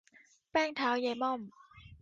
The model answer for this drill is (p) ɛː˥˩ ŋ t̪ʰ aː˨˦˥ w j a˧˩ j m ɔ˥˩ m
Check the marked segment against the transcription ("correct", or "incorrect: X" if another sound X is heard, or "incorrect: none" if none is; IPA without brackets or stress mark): correct